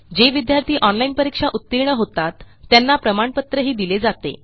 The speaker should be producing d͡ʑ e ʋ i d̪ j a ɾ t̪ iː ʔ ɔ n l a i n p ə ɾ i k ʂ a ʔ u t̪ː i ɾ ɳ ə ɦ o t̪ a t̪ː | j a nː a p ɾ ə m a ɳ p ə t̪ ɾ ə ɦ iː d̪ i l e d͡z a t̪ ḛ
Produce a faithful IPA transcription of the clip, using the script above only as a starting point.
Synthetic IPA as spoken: d͡ʑ e ʋ i d̪ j a ɾ t̪ iː ʔ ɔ n l a i n p ə ɾ i k ʂ a ʔ u t̪ː i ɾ ɳ ə ɦ o t̪ a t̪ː | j a nː a p ɾ ə m a ɳ p ə t̪ ɾ ə ɦ iː d̪ i l e d͡z a t̪ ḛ